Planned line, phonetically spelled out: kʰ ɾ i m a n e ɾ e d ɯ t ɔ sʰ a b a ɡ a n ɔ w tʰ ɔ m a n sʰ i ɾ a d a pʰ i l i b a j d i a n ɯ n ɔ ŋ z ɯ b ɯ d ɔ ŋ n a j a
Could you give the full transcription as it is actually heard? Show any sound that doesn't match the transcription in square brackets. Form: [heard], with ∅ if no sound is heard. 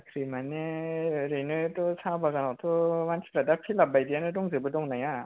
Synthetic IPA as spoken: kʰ ɾ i m a n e ɾ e [n] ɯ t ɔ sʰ a b a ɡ a n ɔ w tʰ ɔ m a n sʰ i ɾ a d a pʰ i l [a] b a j d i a n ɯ [d] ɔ ŋ z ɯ b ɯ d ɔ ŋ n a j a